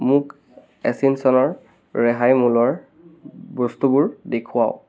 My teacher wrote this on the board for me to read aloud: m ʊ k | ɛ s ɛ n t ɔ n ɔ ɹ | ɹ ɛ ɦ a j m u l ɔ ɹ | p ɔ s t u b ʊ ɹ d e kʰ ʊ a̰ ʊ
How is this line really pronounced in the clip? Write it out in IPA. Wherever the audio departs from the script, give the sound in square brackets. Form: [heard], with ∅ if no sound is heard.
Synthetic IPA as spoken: m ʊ k | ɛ s [i] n [s] ɔ n ɔ ɹ | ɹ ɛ ɦ a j m u l ɔ ɹ | [b] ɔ s t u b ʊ ɹ d e kʰ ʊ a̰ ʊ